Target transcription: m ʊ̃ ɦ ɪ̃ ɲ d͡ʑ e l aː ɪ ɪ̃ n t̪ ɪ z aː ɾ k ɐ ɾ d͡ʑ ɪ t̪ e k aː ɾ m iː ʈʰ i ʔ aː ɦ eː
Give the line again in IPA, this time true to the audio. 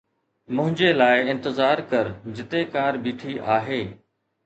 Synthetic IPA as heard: m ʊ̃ ɦ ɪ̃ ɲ d͡ʑ e l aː ɪ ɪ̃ n t̪ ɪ z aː ɾ k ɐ ɾ d͡ʑ ɪ t̪ e k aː ɾ b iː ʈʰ i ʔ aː ɦ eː